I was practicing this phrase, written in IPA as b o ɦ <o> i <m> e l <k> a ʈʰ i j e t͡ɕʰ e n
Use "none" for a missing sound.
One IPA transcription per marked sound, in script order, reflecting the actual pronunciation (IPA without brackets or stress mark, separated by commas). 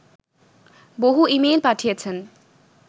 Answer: u, m, p